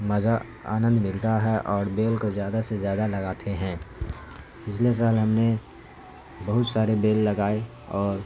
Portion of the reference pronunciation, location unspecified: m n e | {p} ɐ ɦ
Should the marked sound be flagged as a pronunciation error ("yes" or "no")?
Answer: yes